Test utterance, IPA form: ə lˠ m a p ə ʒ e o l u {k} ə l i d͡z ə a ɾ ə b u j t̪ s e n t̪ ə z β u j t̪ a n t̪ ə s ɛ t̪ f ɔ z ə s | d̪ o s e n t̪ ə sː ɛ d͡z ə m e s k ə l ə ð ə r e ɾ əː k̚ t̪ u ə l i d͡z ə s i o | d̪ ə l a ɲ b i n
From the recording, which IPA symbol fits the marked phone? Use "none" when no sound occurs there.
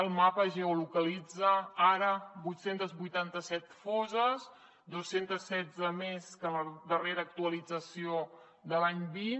k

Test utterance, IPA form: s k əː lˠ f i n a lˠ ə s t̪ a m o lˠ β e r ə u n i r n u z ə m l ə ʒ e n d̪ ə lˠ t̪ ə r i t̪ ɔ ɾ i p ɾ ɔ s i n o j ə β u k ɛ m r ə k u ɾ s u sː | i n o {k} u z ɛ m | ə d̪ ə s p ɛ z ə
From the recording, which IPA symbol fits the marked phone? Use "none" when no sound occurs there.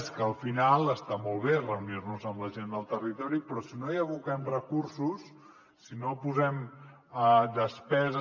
p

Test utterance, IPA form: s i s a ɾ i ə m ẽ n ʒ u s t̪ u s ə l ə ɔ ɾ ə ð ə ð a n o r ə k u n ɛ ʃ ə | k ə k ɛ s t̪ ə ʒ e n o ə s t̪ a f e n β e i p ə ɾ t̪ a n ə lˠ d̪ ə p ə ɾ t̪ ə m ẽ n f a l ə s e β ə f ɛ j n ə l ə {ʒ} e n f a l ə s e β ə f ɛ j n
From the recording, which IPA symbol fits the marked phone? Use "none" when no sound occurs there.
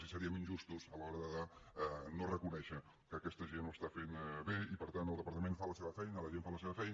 ʒ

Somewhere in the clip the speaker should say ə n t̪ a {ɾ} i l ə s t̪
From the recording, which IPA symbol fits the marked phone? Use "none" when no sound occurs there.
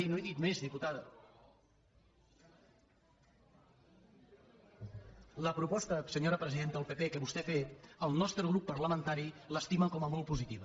ɾ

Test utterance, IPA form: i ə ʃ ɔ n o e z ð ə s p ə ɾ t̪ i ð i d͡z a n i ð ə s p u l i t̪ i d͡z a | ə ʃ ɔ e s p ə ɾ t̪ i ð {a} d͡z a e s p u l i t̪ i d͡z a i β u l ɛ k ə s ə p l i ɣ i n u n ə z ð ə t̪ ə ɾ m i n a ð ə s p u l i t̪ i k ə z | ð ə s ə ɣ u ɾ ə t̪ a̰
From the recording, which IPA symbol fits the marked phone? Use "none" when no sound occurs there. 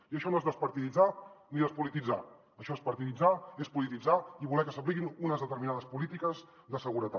i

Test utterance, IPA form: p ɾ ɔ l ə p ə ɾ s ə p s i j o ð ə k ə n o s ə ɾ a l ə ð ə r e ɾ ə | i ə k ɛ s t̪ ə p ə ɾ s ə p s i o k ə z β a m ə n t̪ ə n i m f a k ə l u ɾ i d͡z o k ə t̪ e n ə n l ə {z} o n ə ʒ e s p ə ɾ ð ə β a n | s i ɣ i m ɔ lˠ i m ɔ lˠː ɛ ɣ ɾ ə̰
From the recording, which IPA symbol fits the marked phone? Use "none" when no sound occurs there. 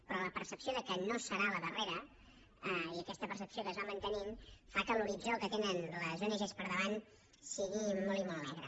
z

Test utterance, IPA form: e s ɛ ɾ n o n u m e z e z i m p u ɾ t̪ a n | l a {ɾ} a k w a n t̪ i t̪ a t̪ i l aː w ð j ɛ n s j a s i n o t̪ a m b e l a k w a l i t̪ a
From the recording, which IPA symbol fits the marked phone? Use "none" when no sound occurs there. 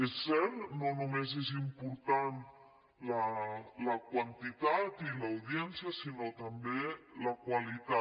l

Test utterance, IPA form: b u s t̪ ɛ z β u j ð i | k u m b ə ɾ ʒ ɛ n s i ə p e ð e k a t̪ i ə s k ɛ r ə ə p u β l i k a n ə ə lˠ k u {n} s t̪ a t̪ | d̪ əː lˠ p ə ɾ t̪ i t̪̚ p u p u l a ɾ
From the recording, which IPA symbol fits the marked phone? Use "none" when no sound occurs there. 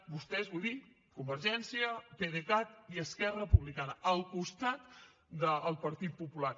none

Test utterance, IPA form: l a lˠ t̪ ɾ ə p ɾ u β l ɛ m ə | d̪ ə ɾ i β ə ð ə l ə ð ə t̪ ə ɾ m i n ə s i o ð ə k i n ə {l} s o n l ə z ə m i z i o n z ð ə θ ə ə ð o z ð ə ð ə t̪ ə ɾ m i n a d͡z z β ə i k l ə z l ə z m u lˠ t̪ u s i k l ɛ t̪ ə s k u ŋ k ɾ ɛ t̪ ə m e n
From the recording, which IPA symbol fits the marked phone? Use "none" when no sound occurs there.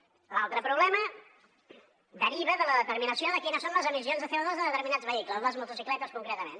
none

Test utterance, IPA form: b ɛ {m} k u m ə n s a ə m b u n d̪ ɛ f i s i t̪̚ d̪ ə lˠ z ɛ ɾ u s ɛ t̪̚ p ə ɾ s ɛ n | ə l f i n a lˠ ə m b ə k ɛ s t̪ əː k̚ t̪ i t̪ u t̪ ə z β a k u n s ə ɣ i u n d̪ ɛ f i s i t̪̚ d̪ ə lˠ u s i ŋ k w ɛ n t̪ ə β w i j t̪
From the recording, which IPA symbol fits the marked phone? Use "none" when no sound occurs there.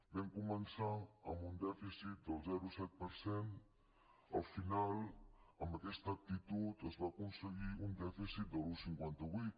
ŋ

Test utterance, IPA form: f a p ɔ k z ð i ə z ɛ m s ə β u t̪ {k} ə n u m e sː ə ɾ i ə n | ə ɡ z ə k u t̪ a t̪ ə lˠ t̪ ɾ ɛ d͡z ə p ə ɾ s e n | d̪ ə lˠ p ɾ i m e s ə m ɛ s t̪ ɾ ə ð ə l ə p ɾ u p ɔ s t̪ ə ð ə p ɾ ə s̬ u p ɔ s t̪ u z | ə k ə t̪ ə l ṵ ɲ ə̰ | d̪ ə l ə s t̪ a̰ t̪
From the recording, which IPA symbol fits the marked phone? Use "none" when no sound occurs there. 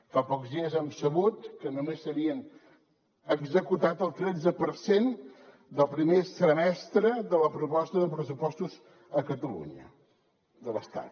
k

